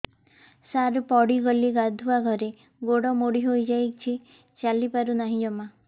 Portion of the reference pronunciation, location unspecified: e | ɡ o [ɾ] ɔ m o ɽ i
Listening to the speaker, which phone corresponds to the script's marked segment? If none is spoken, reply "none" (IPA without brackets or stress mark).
ɽ